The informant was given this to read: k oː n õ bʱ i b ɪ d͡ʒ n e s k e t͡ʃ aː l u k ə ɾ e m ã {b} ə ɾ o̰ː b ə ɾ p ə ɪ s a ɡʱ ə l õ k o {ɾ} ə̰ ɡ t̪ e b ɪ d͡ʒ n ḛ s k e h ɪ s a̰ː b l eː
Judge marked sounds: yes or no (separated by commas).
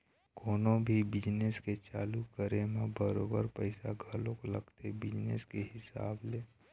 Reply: yes, no